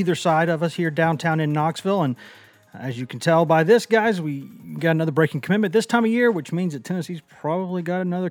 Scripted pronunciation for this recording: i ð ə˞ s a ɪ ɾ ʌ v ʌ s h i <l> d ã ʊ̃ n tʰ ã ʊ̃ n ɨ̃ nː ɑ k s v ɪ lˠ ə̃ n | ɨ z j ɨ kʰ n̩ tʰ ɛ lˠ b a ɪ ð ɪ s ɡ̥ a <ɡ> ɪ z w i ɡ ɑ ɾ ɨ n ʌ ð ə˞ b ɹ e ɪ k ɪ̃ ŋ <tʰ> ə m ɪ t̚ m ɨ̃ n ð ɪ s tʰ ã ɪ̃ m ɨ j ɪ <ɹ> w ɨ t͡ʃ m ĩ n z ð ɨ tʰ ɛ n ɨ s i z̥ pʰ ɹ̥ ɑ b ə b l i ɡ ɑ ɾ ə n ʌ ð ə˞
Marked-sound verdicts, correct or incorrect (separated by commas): incorrect, incorrect, incorrect, correct